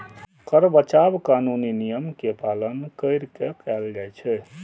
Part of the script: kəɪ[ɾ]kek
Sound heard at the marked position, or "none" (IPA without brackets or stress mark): ɾ